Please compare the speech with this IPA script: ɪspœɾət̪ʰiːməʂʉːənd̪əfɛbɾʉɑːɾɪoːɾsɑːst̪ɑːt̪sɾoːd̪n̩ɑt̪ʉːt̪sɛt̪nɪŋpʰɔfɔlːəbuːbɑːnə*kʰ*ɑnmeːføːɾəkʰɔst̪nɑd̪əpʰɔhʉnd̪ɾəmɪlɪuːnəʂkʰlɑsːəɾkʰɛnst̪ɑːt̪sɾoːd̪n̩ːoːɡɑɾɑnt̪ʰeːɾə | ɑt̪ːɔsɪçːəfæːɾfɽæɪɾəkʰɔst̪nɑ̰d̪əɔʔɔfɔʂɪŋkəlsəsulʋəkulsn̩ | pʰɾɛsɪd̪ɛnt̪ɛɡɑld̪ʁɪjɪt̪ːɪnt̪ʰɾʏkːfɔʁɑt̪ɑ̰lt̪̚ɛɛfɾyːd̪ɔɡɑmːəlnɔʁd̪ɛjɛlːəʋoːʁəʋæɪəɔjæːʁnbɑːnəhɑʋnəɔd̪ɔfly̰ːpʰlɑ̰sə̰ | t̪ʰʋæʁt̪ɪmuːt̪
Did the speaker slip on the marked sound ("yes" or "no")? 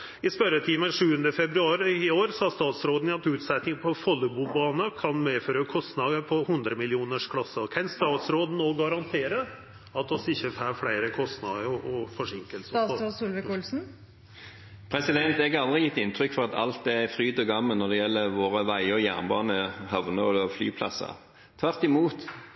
no